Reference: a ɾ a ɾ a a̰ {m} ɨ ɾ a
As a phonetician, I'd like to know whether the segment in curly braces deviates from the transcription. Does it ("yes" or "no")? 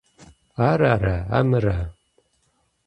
no